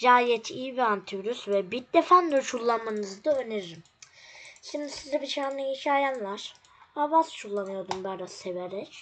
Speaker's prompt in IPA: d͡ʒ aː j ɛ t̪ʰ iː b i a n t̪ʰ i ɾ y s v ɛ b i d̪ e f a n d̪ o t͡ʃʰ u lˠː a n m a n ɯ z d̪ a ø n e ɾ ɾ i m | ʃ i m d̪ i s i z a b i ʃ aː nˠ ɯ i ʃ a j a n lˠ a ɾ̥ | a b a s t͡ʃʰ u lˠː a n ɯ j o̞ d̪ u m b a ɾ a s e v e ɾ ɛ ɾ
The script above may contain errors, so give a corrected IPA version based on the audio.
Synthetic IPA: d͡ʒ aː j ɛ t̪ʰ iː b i a n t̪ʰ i ɾ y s v ɛ b i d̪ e f a n d̪ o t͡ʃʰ u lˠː a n m a n ɯ z d̪ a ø n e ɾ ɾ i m | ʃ i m d̪ i s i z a b i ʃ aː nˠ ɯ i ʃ a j a n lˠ a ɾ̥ | a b a s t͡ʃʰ u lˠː a n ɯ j o̞ d̪ u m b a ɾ a s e v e ɾ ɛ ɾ